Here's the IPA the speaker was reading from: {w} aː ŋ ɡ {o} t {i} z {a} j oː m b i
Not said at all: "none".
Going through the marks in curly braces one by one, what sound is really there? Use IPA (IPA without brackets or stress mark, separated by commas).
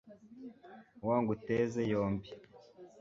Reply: w, u, e, e